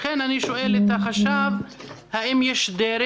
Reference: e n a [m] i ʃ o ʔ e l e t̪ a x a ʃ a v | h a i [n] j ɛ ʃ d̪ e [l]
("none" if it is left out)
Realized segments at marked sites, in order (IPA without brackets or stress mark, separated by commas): n, m, ɾ